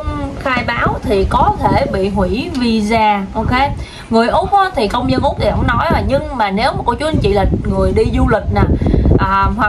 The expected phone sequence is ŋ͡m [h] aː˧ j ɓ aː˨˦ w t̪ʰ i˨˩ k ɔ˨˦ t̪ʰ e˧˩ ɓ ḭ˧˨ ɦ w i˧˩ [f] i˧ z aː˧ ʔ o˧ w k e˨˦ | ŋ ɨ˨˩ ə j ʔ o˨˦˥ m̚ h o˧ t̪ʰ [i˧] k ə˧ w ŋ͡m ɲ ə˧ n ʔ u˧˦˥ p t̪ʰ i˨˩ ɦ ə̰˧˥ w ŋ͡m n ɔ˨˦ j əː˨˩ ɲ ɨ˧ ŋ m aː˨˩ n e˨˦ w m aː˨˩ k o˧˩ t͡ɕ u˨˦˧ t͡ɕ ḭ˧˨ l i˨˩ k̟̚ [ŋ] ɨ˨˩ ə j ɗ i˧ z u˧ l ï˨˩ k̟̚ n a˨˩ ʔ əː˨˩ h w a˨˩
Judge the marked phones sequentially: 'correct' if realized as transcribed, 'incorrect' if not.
incorrect: x, incorrect: v, incorrect: i˨˩, correct

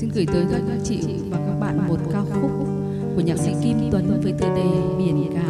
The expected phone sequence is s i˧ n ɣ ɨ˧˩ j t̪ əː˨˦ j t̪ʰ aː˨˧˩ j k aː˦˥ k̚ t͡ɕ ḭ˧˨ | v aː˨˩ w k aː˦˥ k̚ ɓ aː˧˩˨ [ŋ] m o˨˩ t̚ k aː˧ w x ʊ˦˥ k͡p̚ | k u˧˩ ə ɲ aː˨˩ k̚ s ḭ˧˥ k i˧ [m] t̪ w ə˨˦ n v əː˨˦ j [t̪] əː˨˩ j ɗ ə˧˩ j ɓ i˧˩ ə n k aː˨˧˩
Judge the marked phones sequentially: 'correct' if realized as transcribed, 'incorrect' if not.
incorrect: n, correct, correct

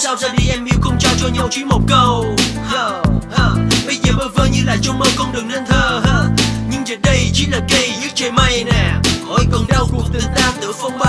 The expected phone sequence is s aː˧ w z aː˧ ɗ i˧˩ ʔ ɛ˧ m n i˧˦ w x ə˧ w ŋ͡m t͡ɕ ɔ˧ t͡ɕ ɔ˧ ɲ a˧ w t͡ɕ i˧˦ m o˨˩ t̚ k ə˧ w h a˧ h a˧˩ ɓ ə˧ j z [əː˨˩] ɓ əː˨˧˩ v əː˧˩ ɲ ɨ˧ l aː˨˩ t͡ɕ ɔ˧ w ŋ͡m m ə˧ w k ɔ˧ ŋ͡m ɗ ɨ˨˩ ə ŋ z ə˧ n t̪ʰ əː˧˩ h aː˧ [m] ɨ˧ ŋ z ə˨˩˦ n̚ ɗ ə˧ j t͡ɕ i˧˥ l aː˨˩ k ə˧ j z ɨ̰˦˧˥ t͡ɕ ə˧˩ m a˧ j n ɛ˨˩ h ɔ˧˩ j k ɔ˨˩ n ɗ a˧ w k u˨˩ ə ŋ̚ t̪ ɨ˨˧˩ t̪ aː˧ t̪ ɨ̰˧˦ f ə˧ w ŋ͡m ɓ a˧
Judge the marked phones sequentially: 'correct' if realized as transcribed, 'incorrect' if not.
correct, incorrect: ɲ

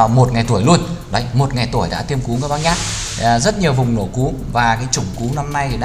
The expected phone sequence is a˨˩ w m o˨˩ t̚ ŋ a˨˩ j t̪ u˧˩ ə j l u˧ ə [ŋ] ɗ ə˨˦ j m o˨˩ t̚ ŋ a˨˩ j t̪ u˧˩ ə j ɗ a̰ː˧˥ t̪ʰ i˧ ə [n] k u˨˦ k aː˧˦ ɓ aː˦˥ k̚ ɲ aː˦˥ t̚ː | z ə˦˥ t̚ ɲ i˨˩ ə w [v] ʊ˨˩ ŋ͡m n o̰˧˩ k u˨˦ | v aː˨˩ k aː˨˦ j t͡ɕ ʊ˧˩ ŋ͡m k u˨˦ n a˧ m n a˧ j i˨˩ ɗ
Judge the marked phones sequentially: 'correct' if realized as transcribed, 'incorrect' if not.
incorrect: n, incorrect: m, correct

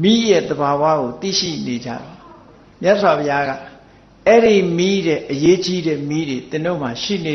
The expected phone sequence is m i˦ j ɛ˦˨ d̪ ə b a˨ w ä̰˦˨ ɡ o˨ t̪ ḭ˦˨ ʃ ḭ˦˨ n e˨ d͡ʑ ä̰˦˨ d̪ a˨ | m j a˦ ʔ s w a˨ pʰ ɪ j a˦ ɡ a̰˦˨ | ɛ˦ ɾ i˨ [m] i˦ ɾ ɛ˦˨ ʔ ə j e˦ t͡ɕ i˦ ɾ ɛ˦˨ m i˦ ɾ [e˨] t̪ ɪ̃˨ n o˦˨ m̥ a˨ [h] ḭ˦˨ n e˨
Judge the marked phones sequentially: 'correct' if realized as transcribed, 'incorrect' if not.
correct, correct, incorrect: ʃ

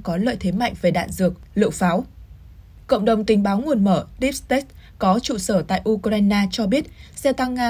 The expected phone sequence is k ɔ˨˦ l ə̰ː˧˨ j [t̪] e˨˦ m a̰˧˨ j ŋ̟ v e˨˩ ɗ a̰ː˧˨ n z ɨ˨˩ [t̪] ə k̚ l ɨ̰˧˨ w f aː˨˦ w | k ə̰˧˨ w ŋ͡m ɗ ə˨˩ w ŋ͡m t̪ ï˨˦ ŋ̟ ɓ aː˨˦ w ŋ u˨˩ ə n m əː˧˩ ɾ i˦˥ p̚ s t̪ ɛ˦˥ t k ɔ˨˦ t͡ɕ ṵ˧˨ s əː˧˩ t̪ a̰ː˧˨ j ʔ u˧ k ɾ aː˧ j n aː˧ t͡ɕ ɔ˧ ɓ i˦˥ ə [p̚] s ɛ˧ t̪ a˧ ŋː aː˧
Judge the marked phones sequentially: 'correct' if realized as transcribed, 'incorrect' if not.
incorrect: t̪ʰ, incorrect: none, incorrect: t̚

